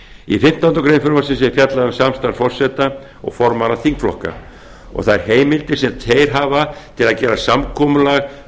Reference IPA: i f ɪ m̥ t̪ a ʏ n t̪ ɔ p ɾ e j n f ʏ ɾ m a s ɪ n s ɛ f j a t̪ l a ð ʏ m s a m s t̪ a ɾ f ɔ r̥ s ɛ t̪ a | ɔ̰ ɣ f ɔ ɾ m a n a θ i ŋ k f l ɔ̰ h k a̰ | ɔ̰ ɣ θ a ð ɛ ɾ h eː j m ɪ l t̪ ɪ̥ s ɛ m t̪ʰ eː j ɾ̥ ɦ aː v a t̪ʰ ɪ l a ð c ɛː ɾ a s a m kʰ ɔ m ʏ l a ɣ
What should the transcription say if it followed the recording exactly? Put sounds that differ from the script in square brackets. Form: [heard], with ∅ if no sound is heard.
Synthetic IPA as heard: i f ɪ m̥ t̪ a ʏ n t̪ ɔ [k] ɾ e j n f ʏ ɾ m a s ɪ n s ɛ f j a t̪ l a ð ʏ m s a m s t̪ a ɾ f ɔ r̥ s ɛ t̪ a | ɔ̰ ɣ f ɔ ɾ m a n a θ i ŋ k f l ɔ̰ h k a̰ | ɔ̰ ɣ θ a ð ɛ ɾ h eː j m ɪ l t̪ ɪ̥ s ɛ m t̪ʰ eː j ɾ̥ ɦ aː v a t̪ʰ ɪ l a ð c ɛː ɾ a s a m kʰ ɔ m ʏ l a ɣ